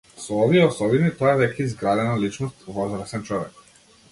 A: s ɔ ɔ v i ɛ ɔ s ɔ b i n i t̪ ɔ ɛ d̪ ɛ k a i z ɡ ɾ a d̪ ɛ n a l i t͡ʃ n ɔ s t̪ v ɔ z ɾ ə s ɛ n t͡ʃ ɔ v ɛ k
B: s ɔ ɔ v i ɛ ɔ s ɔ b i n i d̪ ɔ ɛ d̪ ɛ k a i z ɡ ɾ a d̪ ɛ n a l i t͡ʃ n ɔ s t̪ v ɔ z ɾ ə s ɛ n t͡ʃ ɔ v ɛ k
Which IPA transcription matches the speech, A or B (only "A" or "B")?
A